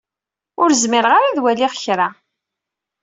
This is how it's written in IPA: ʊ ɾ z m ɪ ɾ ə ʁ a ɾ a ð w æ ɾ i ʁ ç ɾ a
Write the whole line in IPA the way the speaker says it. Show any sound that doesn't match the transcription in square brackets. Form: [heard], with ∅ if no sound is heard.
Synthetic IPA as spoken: ʊ ɾ z m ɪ ɾ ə ʁ a ɾ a ð w æ [l] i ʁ ç ɾ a

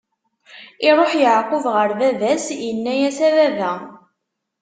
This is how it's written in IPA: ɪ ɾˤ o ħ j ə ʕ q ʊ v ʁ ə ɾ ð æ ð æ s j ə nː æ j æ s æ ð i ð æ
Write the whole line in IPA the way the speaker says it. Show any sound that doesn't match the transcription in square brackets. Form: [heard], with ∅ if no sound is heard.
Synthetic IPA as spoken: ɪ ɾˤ o ħ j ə ʕ q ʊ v ʁ ə ɾ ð æ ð æ s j ə nː æ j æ s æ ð [æ] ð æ

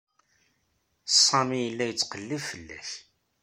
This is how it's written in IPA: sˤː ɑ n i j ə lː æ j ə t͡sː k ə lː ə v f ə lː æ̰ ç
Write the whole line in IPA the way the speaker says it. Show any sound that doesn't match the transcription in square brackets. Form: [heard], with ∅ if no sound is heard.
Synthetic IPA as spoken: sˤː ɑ [m] i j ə lː æ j ə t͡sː [q] ə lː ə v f ə lː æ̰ ç

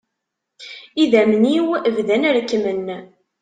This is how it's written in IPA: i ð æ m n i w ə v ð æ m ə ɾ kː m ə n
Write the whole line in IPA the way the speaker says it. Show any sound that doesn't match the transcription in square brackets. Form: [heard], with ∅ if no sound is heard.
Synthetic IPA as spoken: i ð æ m n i w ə v ð æ [n] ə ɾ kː m ə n

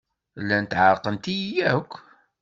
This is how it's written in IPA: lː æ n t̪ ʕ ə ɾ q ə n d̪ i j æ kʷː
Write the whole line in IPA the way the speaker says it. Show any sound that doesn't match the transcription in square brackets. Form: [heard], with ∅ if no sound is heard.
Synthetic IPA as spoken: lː æ n t̪ ʕ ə ɾ q ə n [t̪] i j æ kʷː

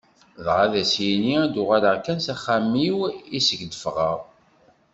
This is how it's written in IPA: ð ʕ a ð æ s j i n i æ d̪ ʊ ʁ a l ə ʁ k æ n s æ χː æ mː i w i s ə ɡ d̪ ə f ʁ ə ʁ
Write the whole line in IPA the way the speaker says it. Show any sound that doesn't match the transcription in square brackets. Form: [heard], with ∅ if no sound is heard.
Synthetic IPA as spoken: ð [ʁ] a ð æ s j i n i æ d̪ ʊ ʁ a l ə ʁ k æ n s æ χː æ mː i w i s ə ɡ d̪ ə f ʁ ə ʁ

